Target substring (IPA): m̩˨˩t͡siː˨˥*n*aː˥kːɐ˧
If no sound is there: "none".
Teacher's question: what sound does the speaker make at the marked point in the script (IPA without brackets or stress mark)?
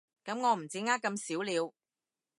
ŋ